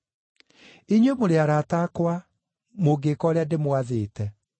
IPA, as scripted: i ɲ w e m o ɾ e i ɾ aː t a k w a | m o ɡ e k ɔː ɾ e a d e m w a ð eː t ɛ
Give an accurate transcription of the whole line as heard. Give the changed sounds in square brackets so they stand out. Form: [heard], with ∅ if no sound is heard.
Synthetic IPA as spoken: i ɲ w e m o ɾ e [a] ɾ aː t a k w a | m o ɡ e k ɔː ɾ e a d e m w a ð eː t ɛ